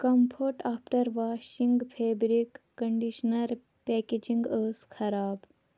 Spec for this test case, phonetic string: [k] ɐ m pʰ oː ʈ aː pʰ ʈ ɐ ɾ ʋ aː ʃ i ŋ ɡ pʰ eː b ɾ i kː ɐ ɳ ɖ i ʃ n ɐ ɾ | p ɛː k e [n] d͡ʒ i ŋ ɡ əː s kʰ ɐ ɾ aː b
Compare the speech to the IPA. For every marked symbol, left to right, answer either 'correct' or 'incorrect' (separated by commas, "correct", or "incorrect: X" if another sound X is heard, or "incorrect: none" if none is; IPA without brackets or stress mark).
correct, incorrect: none